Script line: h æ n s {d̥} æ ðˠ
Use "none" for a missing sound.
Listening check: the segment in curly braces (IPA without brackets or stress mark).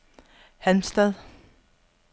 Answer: d̥